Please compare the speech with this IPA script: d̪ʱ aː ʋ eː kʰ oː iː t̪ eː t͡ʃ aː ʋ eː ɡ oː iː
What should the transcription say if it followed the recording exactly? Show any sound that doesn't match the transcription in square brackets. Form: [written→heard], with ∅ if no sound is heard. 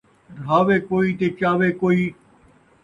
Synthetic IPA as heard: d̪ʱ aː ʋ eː [kʰ→k] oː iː t̪ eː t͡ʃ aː ʋ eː [ɡ→k] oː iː